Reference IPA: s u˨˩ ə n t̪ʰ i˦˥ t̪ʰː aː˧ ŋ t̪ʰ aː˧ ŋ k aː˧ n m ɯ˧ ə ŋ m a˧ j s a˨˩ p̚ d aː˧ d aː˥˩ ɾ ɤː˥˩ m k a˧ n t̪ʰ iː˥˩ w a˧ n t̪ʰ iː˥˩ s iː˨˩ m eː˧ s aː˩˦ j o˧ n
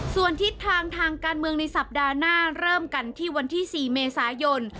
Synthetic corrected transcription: s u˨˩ ə n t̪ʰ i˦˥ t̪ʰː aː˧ ŋ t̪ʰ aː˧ ŋ k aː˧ n m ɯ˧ ə ŋ n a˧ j s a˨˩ p̚ d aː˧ n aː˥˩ ɾ ɤː˥˩ m k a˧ n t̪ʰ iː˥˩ w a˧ n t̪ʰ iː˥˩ s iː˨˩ m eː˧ s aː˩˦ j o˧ n

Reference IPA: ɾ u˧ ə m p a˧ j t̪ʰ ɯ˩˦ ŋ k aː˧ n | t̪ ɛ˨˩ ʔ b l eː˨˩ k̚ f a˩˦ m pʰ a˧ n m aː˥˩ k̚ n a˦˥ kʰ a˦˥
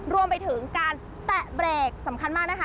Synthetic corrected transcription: ɾ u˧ ə m p a˧ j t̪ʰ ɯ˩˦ ŋ k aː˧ n | t̪ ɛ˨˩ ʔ b ɾ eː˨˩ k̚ s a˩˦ m kʰ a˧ n m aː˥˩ k̚ n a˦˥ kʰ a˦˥

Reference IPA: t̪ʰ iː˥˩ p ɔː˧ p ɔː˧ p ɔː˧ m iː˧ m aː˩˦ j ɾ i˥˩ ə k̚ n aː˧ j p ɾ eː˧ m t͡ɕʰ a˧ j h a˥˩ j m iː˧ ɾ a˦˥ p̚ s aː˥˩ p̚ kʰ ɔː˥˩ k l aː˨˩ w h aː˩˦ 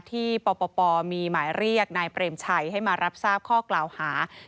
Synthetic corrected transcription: t̪ʰ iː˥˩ p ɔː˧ p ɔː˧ p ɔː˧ m iː˧ m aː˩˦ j ɾ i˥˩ ə k̚ n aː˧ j p ɾ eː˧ m t͡ɕʰ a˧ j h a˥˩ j m aː˧ ɾ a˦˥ p̚ s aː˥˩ p̚ kʰ ɔː˥˩ k l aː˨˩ w h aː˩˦

